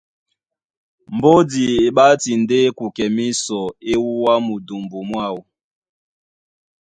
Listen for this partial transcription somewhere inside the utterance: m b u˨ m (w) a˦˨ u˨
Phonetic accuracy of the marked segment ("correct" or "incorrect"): correct